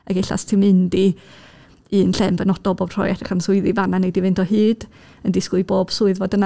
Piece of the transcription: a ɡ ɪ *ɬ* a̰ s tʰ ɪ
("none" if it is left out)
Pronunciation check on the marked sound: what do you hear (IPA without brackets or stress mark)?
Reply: ɬ